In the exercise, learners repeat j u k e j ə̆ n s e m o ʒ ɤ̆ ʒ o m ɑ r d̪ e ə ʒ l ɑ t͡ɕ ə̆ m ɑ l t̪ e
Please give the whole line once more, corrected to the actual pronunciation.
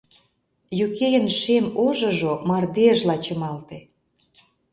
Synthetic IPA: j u k e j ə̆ n ʃ e m o ʒ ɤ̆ ʒ o m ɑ r d̪ e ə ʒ l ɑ t͡ɕ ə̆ m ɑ l t̪ e